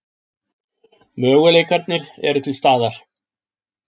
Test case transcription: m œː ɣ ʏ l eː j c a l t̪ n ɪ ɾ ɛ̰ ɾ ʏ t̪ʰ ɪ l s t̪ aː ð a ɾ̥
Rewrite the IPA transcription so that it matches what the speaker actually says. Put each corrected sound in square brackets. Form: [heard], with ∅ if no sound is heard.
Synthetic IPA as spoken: m œː ɣ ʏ l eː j [k] a [ɾ] t̪ n ɪ ɾ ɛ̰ ɾ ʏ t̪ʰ ɪ l s t̪ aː ð a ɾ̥